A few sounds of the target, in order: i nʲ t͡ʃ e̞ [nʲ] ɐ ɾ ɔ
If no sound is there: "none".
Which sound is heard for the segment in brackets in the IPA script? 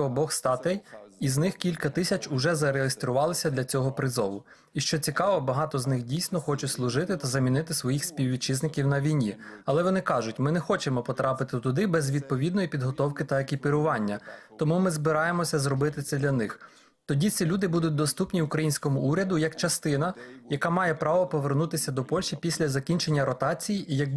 nʲː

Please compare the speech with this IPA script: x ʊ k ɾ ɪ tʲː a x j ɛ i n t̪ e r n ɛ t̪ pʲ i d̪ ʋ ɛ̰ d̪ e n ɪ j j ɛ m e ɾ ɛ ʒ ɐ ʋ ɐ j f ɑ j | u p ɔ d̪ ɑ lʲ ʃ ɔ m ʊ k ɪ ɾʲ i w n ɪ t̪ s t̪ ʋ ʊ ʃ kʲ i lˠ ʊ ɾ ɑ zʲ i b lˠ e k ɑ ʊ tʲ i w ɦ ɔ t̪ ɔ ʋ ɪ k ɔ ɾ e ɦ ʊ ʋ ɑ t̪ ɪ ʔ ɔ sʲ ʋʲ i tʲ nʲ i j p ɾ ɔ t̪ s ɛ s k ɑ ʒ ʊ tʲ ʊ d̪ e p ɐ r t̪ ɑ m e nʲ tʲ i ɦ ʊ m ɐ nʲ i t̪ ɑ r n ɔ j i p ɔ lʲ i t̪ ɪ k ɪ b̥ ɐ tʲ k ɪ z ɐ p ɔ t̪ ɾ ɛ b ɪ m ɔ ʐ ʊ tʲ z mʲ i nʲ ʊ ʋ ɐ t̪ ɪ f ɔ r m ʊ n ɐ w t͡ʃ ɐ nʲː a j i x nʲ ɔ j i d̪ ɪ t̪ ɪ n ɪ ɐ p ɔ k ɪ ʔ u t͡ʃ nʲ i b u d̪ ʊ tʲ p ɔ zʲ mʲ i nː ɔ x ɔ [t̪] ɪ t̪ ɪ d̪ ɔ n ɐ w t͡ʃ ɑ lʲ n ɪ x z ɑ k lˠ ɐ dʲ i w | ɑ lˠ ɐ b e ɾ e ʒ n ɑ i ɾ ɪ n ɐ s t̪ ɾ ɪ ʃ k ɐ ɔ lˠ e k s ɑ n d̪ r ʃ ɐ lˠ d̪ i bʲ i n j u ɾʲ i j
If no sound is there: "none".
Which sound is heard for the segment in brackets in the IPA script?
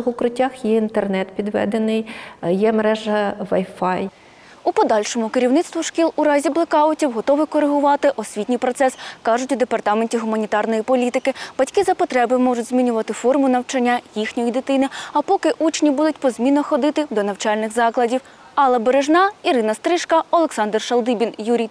d̪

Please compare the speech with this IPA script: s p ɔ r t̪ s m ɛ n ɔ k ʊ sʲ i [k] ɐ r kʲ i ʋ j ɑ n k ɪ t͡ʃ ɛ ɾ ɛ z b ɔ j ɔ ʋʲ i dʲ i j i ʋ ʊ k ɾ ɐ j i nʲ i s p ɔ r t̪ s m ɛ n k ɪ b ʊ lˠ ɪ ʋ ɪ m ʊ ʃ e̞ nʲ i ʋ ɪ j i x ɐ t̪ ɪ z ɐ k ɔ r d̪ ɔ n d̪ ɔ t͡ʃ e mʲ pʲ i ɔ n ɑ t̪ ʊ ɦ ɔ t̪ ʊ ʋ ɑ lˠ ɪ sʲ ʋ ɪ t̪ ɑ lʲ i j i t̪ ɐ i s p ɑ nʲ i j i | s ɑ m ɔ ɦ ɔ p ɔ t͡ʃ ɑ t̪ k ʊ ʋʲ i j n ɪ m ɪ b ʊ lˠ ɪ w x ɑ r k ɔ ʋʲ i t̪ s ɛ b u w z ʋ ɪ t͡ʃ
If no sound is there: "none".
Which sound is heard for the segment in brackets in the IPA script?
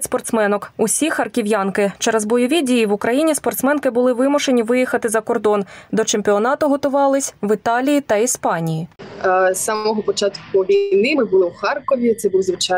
x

